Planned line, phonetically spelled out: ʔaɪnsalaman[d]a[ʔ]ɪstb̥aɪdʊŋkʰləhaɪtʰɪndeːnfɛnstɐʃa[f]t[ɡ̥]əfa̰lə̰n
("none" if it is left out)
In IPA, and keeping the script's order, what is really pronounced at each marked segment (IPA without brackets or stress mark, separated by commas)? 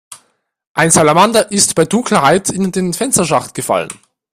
d, ʔ, χ, ɡ̥